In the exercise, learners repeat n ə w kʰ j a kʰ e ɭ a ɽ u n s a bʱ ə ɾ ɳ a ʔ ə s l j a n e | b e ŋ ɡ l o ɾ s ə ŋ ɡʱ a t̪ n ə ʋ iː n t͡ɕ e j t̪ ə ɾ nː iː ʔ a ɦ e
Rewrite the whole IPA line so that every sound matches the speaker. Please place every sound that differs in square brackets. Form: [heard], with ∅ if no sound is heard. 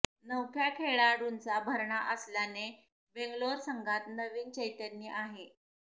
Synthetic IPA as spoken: n ə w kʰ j a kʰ e ɭ a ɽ u n [t͡s] a bʱ ə ɾ ɳ a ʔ ə s l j a n e | b e ŋ ɡ l o ɾ s ə ŋ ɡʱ a t̪ n ə ʋ iː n t͡ɕ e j t̪ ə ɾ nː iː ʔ a ɦ e